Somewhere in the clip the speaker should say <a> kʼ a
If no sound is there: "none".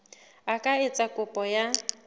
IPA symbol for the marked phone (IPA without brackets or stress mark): a